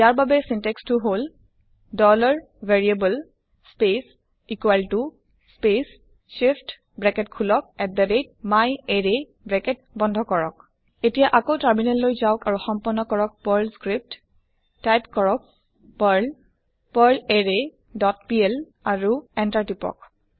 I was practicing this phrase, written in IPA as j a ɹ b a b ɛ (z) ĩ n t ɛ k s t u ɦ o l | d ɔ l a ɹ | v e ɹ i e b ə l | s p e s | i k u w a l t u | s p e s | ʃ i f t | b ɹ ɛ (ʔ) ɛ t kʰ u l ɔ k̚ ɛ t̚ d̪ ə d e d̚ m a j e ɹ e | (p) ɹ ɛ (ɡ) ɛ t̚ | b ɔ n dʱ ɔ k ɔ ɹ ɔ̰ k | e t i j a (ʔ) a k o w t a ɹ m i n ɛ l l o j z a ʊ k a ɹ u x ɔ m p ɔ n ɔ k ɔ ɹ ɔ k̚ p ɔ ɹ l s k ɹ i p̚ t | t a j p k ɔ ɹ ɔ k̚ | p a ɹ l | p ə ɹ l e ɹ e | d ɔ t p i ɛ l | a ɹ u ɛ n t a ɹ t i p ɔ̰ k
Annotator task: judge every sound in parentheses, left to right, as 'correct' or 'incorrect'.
incorrect: s, incorrect: k, incorrect: b, incorrect: k, correct

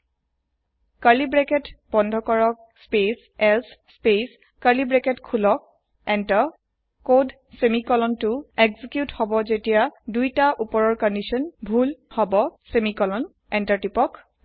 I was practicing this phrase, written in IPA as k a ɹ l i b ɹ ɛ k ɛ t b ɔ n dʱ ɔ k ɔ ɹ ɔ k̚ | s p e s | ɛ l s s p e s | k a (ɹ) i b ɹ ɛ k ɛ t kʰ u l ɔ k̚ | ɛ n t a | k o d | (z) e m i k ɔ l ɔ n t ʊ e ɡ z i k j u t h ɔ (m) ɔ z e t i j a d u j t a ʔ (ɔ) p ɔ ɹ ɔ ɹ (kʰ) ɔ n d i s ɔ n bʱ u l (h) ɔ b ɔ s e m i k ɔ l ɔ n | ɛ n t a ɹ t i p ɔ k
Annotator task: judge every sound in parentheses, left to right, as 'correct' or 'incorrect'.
incorrect: l, incorrect: s, incorrect: b, incorrect: u, incorrect: k, correct

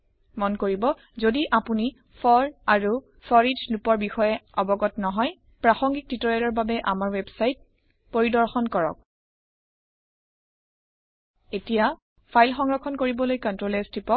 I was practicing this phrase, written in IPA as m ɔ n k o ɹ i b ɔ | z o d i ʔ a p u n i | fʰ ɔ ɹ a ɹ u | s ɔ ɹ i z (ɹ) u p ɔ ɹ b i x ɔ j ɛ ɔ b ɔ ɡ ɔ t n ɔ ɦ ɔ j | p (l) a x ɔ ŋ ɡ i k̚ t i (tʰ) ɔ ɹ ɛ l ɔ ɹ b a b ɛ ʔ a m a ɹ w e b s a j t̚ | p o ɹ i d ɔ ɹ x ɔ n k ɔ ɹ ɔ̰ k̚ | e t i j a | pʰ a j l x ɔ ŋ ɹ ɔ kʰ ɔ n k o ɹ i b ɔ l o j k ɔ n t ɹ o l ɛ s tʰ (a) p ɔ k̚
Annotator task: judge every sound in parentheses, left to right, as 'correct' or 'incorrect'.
incorrect: l, incorrect: ɹ, incorrect: t, incorrect: i

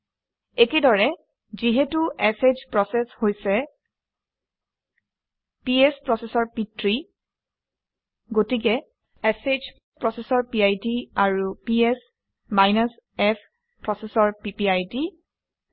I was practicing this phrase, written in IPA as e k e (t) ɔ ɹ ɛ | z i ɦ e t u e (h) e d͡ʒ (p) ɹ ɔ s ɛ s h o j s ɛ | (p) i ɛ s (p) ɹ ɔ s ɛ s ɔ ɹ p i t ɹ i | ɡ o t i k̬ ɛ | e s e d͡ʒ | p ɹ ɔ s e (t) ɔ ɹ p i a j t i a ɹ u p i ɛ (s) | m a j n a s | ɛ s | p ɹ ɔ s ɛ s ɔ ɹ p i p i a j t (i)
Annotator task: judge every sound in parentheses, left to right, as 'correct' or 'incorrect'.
incorrect: d, incorrect: s, correct, correct, correct, incorrect: s, correct, correct

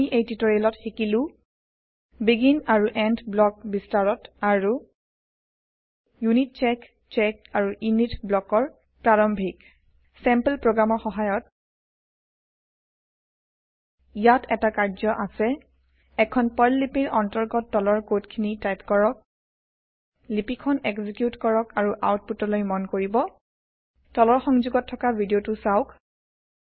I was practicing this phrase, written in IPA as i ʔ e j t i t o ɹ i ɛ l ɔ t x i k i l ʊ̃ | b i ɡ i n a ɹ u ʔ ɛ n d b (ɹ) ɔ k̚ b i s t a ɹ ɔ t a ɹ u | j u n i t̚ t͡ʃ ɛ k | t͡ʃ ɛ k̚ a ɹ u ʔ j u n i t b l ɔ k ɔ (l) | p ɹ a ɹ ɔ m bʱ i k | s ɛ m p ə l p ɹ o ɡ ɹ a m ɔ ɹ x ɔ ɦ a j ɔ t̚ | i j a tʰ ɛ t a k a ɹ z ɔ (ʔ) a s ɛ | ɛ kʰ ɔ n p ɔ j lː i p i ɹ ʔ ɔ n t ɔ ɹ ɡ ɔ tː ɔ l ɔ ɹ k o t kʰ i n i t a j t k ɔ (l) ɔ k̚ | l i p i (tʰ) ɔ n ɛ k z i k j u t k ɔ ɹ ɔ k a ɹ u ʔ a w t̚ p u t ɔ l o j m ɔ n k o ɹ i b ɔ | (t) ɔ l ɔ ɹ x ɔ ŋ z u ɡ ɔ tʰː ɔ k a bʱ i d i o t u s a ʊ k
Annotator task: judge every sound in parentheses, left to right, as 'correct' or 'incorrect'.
incorrect: l, incorrect: ɹ, correct, incorrect: ɹ, incorrect: kʰ, correct

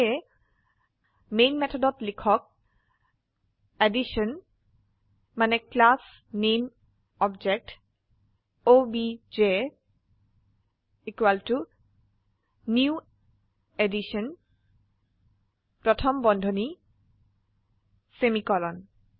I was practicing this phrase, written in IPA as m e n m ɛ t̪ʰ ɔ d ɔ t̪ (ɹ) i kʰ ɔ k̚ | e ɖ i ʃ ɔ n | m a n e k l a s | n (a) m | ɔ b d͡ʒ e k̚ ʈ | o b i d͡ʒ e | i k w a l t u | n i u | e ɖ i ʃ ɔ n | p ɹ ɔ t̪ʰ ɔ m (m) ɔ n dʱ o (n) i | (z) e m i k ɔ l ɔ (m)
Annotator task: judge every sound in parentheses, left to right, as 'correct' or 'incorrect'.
incorrect: l, incorrect: e, incorrect: b, correct, incorrect: s, incorrect: n

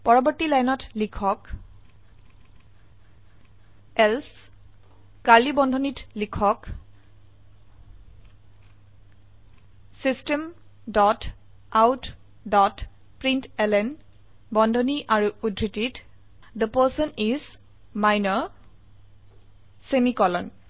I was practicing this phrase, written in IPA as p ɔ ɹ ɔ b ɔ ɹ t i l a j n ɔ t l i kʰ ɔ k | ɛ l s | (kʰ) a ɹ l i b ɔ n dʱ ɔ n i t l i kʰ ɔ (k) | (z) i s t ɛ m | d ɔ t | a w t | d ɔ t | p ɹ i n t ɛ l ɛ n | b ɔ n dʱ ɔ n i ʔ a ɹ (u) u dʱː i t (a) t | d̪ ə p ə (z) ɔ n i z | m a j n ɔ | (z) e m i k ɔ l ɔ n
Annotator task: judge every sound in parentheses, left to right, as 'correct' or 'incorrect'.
incorrect: k, correct, incorrect: s, correct, incorrect: i, incorrect: s, incorrect: s

